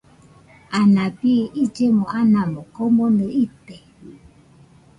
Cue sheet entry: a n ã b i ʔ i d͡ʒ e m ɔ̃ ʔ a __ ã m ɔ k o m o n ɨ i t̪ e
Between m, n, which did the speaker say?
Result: n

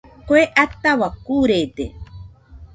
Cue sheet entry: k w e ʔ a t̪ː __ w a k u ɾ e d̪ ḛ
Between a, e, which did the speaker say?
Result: a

